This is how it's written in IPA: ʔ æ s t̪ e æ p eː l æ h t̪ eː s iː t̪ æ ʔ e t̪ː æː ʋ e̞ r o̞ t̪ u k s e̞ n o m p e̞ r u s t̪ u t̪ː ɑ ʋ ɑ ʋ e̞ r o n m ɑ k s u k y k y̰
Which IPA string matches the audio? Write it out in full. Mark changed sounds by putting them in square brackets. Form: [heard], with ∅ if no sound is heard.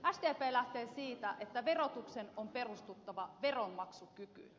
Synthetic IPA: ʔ æ s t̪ e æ p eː l æ h t̪ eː s iː t̪ æ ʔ e t̪ː [æ] ʋ e̞ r o̞ t̪ u k s e̞ n o m p e̞ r u s t̪ u t̪ː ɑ ʋ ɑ ʋ e̞ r o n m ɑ k s u k y k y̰